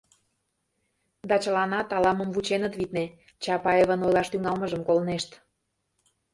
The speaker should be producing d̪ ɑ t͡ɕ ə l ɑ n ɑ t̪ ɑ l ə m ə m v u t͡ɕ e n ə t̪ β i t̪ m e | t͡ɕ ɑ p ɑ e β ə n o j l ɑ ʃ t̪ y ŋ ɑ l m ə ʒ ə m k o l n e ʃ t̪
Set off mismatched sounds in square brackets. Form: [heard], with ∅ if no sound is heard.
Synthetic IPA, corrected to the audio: d̪ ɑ t͡ɕ ə l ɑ n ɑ t̪ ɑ l [ɑ] m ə m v u t͡ɕ e n ə t̪ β i t̪ [n] e | t͡ɕ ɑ p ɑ e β ə n o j l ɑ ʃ t̪ y ŋ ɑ l m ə ʒ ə m k o l n e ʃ t̪